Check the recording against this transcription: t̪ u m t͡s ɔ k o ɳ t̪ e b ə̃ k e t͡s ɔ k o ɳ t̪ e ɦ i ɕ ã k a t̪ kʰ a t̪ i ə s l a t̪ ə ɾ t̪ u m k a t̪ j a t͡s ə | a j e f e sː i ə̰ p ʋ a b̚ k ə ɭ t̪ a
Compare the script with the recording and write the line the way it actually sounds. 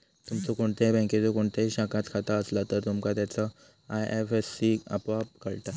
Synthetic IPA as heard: t̪ u m t͡s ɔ k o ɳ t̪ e b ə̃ k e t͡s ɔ k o ɳ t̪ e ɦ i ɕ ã k a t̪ kʰ a t̪ a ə s l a t̪ ə ɾ t̪ u m k a t̪ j a t͡s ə | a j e f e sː i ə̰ p ʋ a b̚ k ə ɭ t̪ a

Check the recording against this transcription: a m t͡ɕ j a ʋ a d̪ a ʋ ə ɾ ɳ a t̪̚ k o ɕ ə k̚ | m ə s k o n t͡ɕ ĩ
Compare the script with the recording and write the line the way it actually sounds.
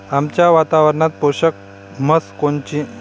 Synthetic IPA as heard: a m t͡ɕ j a ʋ a t̪ a ʋ ə ɾ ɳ a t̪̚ p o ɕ ə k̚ | m ə s k o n t͡ɕ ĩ

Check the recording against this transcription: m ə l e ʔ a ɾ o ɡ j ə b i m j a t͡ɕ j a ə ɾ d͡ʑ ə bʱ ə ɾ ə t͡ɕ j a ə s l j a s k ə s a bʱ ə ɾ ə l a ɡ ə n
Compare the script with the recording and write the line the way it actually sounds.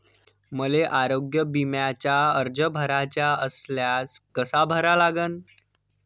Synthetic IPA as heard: m ə l e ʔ a ɾ o ɡ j ə b i m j a t͡ɕ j a ə ɾ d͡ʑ ə bʱ ə ɾ a t͡ɕ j a ə s l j a s k ə s a bʱ ə ɾ a l a ɡ ə n

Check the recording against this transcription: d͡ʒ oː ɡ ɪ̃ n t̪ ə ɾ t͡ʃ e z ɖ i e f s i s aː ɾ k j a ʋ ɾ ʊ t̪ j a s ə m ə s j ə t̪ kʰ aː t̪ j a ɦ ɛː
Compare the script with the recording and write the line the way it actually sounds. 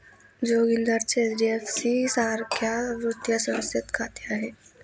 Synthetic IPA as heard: d͡ʒ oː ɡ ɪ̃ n d̪ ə ɾ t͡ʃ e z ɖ i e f s i s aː ɾ k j a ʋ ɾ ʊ t̪ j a s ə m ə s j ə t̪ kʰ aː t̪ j a ɦ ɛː

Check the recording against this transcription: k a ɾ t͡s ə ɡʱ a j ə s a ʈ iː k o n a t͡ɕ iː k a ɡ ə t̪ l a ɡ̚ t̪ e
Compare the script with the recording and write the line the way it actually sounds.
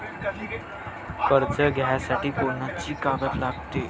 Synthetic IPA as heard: k ə ɾ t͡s ə ɡʱ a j a s a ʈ iː k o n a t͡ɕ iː k a ɡ ə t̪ l a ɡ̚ t̪ e

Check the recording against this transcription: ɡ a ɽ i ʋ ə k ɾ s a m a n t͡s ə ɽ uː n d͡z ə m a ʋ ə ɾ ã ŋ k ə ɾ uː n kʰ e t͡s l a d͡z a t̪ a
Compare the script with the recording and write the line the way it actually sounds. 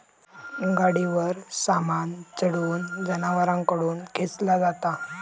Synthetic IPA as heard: ɡ a ɽ i ʋ ə ɾ s a m a n t͡s ə ɽ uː n d͡z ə n a ʋ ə ɾ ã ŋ k ə ɽ uː n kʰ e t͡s l a d͡z a t̪ a

